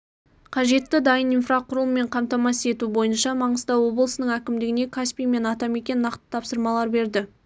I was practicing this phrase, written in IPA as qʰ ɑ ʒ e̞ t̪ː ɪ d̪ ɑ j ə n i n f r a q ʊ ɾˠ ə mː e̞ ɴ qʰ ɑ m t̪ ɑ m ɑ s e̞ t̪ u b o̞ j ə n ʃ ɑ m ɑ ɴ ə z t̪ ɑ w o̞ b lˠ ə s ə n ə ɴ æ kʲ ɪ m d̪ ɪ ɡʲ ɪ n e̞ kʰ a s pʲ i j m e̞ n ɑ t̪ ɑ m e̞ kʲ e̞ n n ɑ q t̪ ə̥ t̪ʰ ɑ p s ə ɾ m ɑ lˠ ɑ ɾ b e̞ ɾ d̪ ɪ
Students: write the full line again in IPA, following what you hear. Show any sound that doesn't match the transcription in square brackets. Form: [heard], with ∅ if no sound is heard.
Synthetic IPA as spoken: qʰ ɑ ʒ e̞ t̪ː ɪ d̪ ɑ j ə n i n f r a q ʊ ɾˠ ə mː e̞ ɴ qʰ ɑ m t̪ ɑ m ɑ s e̞ t̪ u b o̞ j ə n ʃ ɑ m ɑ ɴ ə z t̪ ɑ w o̞ b lˠ ə s ə n ə ɴ æ kʲ ɪ m d̪ ɪ ɡʲ ɪ n e̞ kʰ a s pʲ i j m e̞ n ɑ t̪ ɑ m e̞ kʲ e̞ n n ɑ q t̪ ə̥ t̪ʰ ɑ p s ə ɾ m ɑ lˠ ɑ ɾ b e̞ ɾ d̪ ɪ